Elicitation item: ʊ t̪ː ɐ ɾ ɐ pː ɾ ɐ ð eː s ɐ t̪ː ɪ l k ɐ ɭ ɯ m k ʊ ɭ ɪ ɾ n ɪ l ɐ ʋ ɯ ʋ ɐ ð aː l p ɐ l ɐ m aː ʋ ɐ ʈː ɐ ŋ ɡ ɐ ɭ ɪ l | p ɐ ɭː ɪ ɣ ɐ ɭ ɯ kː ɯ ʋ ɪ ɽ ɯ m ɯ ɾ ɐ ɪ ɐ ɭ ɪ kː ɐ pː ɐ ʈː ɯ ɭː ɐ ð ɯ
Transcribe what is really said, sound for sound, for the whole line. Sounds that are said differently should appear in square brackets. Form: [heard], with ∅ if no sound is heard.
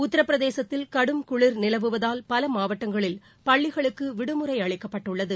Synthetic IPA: ʊ t̪ː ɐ ɾ ɐ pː ɾ ɐ ð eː s ɐ t̪ː ɪ l k ɐ [ɽ] ɯ m k ʊ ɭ ɪ ɾ n ɪ l ɐ ʋ ɯ ʋ ɐ ð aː l p ɐ l ɐ m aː ʋ ɐ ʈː ɐ ŋ ɡ ɐ ɭ ɪ l | p ɐ ɭː ɪ ɣ ɐ ɭ ɯ kː ɯ ʋ ɪ ɽ ɯ m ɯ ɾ ɐ ɪ ɐ ɭ ɪ kː ɐ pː ɐ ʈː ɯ ɭː ɐ ð ɯ